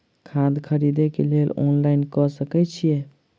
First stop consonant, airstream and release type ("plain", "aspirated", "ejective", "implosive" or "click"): aspirated